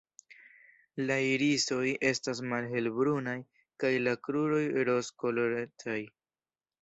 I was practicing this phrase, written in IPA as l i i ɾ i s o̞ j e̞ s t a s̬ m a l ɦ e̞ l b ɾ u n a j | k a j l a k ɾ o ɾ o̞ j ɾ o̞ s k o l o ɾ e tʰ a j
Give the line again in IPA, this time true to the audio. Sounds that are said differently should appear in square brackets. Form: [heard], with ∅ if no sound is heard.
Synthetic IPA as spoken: l [a] i ɾ i s o̞ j e̞ s t a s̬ m a l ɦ e̞ l b ɾ u n a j | k a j l a k ɾ [u] ɾ o̞ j ɾ o̞ s k o l o ɾ e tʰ a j